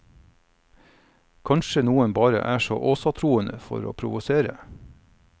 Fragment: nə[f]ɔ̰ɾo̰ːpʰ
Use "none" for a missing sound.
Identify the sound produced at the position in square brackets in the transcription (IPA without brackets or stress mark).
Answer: f